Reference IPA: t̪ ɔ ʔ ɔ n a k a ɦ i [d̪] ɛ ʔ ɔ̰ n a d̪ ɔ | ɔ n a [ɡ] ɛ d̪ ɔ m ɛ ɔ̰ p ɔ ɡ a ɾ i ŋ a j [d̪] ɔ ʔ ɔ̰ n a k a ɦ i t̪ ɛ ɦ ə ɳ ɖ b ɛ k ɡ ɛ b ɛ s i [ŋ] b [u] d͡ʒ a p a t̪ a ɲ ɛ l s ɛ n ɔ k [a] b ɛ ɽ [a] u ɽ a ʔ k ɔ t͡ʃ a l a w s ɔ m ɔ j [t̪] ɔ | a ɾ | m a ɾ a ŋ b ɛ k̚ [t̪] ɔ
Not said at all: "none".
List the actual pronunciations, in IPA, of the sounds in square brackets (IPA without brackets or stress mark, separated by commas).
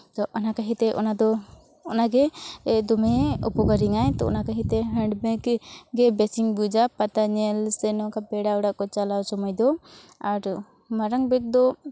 t̪, ɡ, t̪, ŋ, u, a, a, d̪, d̪